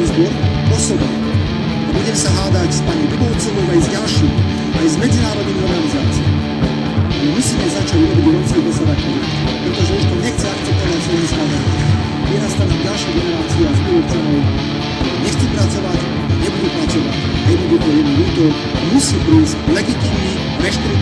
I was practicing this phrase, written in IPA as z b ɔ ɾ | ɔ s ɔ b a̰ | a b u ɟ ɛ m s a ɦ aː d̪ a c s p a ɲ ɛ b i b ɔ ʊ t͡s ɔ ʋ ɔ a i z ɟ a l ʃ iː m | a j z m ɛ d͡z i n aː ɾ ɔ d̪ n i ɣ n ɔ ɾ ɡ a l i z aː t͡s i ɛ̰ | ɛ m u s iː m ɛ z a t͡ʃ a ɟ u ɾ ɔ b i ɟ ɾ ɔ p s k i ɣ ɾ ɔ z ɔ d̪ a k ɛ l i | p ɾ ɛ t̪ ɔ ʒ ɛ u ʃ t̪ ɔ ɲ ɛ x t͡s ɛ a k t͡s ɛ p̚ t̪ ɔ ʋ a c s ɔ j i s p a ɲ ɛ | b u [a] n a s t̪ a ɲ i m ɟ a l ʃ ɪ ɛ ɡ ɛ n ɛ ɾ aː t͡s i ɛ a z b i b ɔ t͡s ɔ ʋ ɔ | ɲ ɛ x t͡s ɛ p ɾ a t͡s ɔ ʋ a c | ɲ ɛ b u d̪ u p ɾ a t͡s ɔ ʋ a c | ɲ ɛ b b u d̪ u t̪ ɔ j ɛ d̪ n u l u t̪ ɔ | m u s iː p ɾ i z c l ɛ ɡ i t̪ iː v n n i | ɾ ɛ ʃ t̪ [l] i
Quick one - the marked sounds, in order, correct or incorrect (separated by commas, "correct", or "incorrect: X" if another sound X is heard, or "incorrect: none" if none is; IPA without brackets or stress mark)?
incorrect: ɛ, incorrect: ɾ